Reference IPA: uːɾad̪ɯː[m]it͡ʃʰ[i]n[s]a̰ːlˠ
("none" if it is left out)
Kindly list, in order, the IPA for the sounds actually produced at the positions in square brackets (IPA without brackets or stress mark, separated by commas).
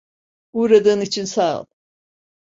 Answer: n, i, s